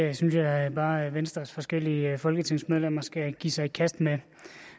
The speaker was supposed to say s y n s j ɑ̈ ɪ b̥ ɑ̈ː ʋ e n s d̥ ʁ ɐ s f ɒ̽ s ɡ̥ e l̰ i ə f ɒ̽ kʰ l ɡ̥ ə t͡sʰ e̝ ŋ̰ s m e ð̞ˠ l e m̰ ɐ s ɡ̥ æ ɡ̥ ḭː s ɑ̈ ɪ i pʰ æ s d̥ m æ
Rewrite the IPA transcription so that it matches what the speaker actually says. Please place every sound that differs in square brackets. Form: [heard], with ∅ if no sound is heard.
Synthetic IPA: s y n s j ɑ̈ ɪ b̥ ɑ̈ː ʋ e n s d̥ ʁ ɐ s f ɒ̽ s ɡ̥ e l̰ i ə f ɒ̽ [∅] l ɡ̥ ə t͡sʰ e̝ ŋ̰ s m e ð̞ˠ l e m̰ ɐ s ɡ̥ æ ɡ̥ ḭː s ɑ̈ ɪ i [kʰ] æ s d̥ m [e]